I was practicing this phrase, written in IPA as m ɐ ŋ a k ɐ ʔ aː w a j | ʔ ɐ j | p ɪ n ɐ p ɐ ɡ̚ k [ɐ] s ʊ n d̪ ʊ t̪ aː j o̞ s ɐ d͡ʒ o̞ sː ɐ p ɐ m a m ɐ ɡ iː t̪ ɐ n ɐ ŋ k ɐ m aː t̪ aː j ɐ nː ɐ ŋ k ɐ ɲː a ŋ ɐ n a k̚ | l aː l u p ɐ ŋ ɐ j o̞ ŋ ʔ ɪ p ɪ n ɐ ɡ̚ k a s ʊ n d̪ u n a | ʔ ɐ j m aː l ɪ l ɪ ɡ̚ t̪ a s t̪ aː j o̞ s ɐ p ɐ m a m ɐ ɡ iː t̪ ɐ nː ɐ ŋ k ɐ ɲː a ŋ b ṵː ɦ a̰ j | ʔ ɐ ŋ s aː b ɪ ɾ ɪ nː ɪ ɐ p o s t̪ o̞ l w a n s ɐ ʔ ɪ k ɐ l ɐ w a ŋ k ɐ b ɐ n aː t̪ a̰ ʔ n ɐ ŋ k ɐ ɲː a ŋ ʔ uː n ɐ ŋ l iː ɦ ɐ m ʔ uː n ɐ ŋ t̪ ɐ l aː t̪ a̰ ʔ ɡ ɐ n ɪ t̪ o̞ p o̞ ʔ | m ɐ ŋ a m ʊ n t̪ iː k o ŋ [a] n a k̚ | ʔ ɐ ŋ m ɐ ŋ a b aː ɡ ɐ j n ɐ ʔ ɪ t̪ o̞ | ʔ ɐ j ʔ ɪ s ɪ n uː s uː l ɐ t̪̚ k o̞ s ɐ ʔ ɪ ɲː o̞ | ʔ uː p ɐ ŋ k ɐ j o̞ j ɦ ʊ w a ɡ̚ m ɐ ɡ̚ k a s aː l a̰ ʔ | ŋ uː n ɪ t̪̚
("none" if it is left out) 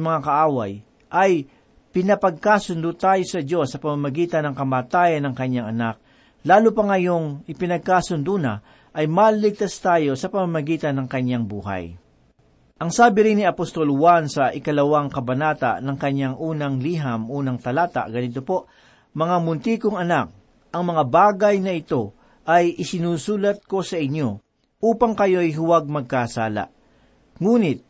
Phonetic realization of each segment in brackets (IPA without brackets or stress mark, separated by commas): a, ɐ